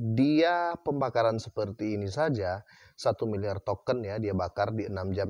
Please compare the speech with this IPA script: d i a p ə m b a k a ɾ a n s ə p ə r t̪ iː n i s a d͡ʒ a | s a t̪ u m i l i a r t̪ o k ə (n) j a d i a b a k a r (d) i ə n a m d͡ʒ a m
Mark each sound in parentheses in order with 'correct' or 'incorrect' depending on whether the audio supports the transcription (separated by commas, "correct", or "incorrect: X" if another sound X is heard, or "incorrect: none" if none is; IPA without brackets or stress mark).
correct, correct